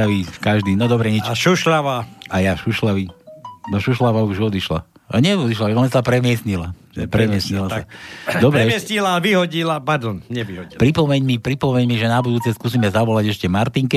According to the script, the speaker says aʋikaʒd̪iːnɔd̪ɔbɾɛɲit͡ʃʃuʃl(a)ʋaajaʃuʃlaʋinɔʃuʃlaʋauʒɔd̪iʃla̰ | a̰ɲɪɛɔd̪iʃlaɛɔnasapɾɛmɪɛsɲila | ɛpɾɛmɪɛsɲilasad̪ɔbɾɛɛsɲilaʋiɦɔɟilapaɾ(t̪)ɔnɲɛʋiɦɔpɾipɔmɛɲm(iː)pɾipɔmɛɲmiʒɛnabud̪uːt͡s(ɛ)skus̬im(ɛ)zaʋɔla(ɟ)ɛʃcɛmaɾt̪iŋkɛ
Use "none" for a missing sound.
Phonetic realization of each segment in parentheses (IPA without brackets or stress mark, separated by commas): a, d̪, i, ɛ, ɛ, ɟ